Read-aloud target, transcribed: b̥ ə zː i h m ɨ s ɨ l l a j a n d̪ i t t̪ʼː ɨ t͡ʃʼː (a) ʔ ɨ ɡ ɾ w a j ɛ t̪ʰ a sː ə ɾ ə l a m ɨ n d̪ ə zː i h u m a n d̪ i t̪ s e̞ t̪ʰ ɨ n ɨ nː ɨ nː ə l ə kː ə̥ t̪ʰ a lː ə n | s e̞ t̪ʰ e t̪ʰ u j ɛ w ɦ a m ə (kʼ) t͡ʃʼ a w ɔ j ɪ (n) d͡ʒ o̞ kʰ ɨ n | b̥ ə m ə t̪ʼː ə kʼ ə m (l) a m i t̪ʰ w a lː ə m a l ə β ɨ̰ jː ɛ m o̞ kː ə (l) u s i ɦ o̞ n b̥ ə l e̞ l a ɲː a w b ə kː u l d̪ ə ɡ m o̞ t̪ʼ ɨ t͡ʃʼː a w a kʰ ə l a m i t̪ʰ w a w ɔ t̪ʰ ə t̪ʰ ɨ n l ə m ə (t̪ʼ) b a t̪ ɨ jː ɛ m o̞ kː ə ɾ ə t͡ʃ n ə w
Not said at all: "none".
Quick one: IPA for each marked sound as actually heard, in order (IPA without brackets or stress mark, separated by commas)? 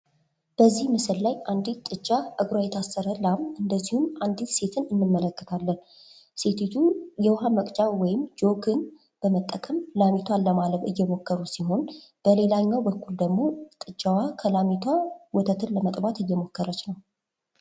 a, kʼ, m, l, ɾ, t̪ʼ